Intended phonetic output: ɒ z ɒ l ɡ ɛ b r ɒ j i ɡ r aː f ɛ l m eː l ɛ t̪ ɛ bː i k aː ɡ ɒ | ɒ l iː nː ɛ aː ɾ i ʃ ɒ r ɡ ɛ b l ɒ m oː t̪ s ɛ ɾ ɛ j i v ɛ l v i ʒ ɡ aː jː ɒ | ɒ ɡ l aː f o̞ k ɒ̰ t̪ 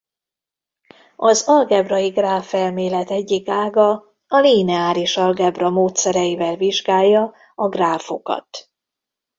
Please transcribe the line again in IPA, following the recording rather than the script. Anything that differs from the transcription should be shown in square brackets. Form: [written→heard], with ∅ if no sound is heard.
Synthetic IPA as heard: ɒ z ɒ l ɡ ɛ b r ɒ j i ɡ r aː f ɛ l m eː l ɛ t̪ ɛ [bː→ɟː] i k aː ɡ ɒ | ɒ l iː [nː→n] ɛ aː ɾ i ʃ ɒ [r→l] ɡ ɛ b [l→r] ɒ m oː t̪ s ɛ ɾ ɛ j i v ɛ l v i ʒ ɡ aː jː ɒ | ɒ ɡ [l→r] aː f o̞ k ɒ̰ t̪